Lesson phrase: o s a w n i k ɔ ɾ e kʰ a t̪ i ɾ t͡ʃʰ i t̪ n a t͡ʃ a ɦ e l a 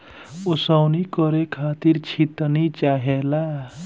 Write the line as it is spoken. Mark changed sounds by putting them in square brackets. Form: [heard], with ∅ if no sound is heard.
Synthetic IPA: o s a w n i k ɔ ɾ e kʰ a t̪ i ɾ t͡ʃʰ i t̪ n [i] t͡ʃ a ɦ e l a